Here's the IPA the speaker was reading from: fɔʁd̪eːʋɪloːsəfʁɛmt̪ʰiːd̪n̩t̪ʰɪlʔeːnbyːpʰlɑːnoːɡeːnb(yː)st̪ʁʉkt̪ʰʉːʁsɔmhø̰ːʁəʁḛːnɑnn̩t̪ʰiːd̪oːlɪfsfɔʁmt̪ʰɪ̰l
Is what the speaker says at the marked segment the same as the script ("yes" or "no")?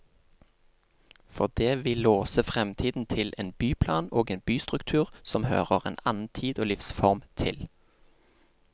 yes